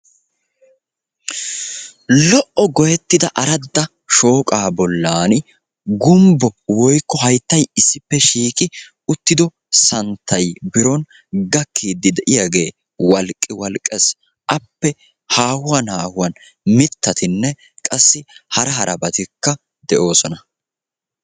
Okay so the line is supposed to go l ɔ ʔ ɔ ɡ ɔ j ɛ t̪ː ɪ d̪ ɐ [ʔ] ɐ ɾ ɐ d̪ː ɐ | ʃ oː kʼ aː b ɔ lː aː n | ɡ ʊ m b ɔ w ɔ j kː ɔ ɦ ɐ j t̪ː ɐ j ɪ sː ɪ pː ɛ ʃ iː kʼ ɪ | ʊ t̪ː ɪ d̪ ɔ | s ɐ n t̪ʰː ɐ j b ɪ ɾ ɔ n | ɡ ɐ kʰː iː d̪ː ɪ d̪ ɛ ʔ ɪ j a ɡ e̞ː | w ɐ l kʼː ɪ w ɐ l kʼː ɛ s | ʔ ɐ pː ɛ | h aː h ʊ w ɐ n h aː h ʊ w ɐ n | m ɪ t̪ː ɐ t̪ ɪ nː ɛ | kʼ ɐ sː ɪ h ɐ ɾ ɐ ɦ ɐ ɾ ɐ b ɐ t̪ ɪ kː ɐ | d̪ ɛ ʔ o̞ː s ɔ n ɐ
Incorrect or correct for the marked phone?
correct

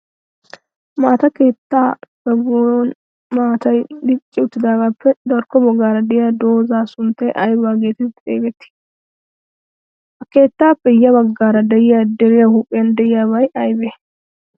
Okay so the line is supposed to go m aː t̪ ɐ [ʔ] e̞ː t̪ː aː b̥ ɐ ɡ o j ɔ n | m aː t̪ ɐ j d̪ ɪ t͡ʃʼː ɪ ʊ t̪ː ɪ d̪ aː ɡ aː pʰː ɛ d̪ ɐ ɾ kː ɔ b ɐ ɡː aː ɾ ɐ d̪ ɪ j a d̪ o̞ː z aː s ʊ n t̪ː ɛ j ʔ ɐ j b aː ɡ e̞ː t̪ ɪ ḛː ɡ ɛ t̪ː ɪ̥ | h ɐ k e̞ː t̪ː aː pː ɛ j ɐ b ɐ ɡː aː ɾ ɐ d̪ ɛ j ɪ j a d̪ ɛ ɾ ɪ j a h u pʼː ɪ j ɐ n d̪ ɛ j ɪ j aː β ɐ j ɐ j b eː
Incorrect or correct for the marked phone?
incorrect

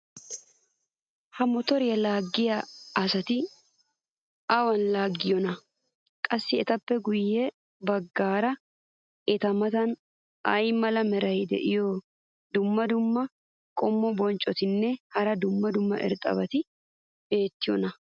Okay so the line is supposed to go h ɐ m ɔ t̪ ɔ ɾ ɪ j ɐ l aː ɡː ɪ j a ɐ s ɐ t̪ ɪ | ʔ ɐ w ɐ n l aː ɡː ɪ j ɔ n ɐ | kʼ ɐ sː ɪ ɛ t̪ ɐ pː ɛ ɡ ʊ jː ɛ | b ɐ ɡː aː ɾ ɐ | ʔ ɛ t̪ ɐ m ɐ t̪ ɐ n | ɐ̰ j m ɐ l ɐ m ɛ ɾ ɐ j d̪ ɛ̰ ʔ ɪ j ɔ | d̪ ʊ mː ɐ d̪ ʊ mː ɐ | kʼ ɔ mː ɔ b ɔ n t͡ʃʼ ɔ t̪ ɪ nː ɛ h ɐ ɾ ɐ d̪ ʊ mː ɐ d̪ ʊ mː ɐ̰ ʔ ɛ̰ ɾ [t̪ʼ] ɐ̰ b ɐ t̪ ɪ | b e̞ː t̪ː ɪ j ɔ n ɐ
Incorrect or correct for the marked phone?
correct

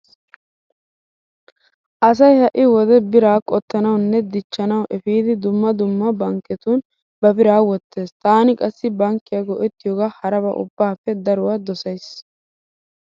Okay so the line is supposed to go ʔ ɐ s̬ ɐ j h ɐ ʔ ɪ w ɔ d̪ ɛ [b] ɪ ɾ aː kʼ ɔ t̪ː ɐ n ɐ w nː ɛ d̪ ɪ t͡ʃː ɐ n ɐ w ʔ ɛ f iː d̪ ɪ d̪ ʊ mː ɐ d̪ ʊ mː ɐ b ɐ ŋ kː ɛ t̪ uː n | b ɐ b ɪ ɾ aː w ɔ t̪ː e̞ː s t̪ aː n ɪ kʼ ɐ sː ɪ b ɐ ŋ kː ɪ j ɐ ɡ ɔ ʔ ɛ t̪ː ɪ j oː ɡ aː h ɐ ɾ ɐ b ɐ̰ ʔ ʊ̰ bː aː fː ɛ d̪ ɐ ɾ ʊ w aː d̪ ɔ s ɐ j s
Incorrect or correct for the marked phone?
correct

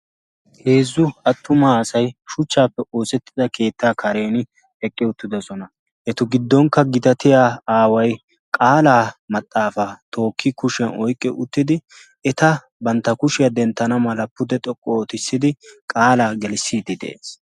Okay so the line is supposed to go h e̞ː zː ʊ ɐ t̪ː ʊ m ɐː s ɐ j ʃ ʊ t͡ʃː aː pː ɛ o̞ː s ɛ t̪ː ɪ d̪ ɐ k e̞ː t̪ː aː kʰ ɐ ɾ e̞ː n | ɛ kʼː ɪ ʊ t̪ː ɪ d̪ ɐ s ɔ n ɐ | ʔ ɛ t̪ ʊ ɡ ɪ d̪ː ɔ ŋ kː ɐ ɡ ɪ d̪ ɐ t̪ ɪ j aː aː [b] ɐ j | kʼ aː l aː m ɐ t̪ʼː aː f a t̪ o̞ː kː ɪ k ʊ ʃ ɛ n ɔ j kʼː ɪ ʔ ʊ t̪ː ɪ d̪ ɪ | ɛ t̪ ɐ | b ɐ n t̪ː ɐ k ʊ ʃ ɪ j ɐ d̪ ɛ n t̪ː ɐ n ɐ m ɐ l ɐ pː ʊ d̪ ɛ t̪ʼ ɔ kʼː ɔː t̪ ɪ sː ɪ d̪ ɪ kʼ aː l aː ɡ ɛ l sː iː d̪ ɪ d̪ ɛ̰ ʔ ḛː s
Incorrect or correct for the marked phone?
incorrect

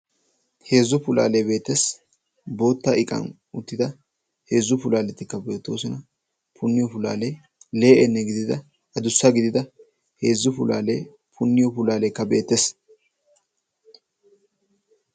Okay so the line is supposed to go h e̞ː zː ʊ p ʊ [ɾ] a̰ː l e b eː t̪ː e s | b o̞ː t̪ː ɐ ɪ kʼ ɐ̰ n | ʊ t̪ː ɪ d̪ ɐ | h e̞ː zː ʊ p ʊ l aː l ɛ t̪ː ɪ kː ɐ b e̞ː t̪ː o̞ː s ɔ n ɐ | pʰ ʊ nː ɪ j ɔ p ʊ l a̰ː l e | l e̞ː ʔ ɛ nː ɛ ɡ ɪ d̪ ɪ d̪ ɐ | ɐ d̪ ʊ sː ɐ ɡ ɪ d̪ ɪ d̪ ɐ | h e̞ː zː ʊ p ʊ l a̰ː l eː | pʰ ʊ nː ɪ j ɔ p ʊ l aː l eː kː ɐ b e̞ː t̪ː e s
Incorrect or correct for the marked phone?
incorrect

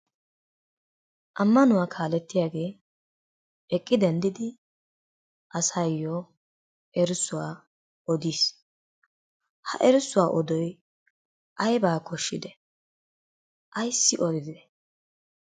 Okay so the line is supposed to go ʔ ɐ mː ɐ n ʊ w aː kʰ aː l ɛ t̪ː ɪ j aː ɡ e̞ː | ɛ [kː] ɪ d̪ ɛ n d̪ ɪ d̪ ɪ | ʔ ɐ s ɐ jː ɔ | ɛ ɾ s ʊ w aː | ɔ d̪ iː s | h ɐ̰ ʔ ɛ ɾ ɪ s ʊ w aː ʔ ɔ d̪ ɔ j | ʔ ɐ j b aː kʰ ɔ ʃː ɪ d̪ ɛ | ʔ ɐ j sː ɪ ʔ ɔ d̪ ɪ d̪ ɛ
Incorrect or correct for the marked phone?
incorrect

